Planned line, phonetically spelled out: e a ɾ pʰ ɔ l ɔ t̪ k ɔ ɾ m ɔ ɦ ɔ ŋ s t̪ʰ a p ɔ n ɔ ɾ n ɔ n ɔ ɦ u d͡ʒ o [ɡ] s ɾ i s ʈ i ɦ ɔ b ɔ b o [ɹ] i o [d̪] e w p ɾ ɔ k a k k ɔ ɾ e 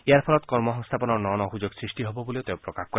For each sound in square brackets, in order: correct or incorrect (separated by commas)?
correct, incorrect, incorrect